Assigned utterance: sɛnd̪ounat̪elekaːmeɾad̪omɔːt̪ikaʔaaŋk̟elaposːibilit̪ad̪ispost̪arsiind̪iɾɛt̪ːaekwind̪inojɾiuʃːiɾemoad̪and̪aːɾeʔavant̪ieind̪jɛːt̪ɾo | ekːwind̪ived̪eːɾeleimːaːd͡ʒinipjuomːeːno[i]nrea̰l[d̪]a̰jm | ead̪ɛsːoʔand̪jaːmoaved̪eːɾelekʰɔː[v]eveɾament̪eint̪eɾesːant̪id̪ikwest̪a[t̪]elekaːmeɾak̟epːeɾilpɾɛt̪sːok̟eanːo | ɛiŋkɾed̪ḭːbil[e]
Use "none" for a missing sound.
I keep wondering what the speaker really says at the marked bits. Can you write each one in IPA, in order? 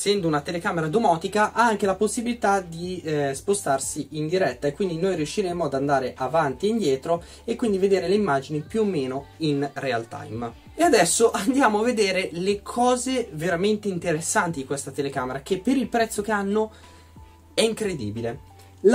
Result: i, t̪, z, t̪, e

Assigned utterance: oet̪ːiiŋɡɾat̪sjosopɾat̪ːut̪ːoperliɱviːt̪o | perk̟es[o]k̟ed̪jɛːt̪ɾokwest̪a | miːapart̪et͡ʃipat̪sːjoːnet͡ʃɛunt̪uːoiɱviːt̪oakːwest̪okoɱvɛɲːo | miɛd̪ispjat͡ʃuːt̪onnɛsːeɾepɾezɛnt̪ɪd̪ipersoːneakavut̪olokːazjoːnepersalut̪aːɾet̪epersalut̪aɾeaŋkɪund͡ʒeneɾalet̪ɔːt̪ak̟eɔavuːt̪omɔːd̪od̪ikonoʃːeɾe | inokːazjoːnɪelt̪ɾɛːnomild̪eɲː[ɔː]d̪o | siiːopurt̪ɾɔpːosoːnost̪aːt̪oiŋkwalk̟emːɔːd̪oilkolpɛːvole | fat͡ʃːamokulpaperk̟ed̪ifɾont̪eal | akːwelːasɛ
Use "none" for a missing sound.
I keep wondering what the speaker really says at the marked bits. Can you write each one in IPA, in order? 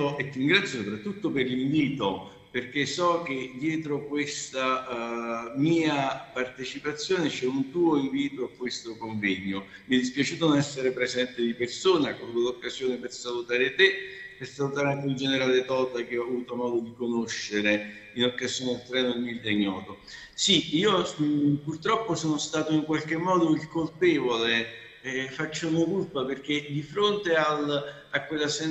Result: ɔ, ɔː

